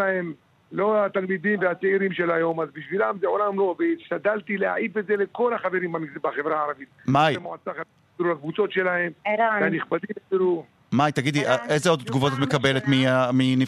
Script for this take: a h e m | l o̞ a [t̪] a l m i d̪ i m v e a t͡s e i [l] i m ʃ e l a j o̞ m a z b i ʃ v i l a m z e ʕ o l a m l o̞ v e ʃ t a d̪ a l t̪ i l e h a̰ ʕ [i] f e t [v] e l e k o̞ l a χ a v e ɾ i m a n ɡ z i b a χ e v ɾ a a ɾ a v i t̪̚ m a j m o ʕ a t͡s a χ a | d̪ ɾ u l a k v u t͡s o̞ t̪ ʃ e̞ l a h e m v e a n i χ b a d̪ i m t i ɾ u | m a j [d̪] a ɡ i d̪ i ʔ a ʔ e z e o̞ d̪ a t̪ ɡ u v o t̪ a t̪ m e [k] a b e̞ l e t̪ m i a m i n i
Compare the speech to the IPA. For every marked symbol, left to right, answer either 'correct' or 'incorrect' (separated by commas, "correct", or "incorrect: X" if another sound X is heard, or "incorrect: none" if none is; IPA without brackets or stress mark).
correct, incorrect: ɾ, correct, incorrect: z, incorrect: t̪, correct